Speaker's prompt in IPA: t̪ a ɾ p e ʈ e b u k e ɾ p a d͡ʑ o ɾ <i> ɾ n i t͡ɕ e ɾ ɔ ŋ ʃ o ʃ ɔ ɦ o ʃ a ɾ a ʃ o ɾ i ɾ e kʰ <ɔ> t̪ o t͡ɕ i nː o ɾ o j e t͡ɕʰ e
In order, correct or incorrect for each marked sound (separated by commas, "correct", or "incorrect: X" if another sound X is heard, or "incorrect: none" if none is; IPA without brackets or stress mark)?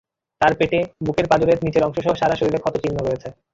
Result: incorrect: e, correct